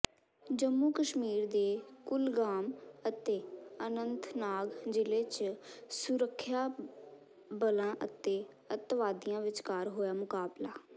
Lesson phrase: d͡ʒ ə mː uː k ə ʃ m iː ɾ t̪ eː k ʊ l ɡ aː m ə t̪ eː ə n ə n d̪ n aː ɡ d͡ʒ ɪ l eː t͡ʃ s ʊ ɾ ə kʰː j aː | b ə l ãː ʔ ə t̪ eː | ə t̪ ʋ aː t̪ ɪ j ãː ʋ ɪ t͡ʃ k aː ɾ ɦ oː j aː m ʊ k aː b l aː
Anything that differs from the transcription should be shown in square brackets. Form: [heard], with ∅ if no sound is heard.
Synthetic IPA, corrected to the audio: d͡ʒ ə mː uː k ə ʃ m iː ɾ [d̪] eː k ʊ l ɡ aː m ə t̪ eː ə n ə n [t̪] n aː ɡ d͡ʒ ɪ l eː t͡ʃ s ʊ ɾ ə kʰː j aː | b ə l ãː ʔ ə t̪ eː | ə t̪ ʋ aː [d̪] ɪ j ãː ʋ ɪ t͡ʃ k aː ɾ ɦ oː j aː m ʊ k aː b l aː